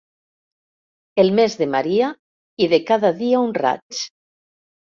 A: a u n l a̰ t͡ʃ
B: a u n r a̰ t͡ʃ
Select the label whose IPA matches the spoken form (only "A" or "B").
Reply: B